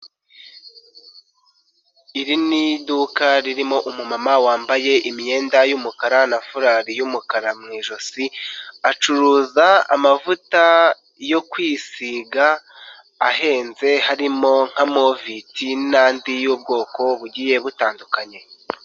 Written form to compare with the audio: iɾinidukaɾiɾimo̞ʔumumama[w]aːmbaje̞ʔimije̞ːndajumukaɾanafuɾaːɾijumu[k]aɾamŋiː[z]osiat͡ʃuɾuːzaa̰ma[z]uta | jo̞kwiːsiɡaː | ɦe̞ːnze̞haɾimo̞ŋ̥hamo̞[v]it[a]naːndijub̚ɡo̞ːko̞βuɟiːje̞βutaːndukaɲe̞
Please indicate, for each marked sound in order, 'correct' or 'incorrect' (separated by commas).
correct, correct, incorrect, incorrect, correct, incorrect